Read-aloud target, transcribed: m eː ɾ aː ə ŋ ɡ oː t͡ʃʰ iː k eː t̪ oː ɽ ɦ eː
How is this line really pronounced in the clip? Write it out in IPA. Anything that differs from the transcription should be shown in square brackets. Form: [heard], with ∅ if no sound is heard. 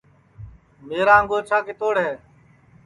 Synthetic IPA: m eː ɾ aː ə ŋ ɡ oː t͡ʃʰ [aː] k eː t̪ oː ɽ ɦ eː

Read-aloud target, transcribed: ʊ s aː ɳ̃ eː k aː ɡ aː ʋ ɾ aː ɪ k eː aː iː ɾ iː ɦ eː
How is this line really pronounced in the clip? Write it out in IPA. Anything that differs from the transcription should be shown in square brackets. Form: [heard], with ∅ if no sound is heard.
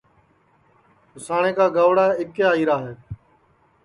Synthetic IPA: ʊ s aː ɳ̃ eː k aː ɡ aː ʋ [ɽ] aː ɪ k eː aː iː ɾ [aː] ɦ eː

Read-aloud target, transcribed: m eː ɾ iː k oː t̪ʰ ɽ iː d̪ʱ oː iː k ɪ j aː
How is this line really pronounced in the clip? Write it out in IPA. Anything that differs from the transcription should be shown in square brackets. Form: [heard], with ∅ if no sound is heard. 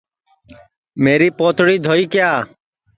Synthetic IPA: m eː ɾ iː [p] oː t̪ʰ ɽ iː d̪ʱ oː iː k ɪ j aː

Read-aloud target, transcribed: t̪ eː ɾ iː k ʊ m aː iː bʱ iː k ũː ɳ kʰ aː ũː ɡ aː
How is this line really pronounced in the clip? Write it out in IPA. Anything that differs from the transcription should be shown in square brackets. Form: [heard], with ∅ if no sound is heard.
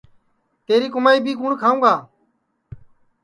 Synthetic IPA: t̪ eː ɾ iː k ʊ m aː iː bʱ iː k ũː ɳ kʰ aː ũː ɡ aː

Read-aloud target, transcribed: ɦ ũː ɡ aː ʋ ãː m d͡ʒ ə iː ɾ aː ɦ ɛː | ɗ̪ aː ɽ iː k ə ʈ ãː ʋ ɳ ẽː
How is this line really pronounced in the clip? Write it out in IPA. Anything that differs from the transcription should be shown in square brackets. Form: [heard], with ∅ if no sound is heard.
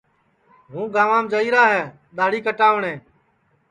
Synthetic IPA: ɦ ũː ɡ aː ʋ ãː m d͡ʒ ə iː ɾ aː ɦ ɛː | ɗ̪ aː ɽ iː k ə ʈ [aː] ʋ ɳ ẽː

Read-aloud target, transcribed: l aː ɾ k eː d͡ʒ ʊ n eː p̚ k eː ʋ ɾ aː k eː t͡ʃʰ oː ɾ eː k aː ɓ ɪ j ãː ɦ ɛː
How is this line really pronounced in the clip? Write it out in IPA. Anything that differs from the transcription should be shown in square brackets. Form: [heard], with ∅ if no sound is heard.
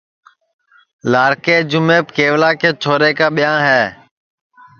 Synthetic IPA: l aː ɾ k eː d͡ʒ ʊ [m] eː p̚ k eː ʋ [l] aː k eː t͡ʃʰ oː ɾ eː k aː ɓ ɪ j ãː ɦ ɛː

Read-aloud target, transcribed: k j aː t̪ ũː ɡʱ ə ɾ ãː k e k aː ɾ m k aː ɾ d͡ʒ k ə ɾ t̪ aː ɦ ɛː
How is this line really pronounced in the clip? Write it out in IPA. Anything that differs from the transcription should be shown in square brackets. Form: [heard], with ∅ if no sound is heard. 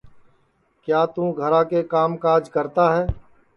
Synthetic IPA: k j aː t̪ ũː ɡʱ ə ɾ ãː k e k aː [∅] m k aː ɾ d͡ʒ k ə ɾ t̪ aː ɦ ɛː

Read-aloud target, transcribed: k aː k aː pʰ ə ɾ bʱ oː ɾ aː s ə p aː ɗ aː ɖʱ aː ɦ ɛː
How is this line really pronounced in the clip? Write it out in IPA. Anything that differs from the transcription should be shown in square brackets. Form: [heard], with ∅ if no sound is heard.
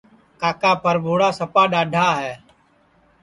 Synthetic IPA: k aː k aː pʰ ə ɾ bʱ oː [ɽ] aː s ə p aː ɗ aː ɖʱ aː ɦ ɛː

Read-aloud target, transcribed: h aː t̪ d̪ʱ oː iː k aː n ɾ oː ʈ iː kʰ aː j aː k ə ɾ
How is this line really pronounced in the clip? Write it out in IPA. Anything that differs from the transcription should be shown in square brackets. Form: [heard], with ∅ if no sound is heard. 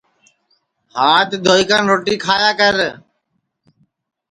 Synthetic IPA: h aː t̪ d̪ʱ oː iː k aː n ɾ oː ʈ iː kʰ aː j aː k ə ɾ

